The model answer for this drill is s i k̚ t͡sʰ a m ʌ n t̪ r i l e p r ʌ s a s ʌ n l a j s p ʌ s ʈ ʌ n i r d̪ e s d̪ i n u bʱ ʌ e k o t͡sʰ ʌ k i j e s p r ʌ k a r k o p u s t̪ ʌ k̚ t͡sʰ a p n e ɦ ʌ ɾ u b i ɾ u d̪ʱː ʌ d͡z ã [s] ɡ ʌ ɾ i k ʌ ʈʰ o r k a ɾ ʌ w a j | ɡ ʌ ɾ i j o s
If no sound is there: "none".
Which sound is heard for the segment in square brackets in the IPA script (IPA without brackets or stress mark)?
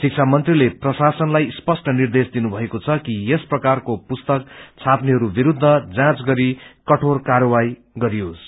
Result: t͡s